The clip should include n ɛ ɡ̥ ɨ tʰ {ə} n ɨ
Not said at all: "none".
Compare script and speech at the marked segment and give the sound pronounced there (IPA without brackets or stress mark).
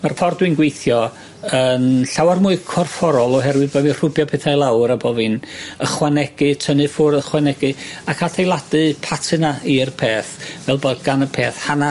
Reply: ə